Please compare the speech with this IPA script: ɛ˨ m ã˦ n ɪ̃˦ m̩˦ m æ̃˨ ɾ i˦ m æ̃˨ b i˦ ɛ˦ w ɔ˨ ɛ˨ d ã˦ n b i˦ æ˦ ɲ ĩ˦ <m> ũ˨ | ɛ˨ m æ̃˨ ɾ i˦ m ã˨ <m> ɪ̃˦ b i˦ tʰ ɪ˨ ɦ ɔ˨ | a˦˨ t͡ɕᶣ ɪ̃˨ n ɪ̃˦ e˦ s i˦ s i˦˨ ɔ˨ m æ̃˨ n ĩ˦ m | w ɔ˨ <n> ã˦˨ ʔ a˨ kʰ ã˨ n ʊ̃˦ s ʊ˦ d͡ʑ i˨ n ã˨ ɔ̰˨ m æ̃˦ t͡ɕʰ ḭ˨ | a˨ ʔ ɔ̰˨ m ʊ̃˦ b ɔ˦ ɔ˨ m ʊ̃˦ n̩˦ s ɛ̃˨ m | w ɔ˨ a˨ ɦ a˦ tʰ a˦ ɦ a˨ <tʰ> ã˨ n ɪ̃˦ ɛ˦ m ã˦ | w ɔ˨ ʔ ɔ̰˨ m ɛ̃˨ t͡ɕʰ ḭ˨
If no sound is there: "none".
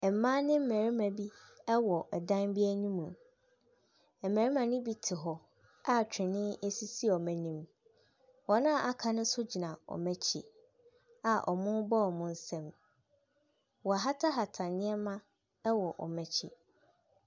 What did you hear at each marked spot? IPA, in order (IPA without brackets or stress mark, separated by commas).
m, n, n, tʰ